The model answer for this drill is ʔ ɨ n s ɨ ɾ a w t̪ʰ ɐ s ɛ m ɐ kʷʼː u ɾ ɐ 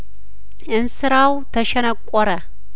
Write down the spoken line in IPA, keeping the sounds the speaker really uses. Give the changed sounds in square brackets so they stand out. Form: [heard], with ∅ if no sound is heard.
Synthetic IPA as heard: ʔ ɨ n s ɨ ɾ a w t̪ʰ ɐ [ʃ] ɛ [n] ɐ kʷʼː [ɔ] ɾ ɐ